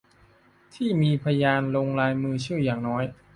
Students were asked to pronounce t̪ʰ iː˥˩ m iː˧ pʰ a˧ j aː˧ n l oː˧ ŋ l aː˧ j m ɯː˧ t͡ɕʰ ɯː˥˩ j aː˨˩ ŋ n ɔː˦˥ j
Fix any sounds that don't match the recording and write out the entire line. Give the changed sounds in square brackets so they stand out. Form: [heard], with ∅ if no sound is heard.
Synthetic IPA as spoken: t̪ʰ iː˥˩ m iː˧ pʰ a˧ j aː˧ n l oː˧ ŋ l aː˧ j m ɯː˧ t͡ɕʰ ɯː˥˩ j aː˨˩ ŋ n ɔː˦˥ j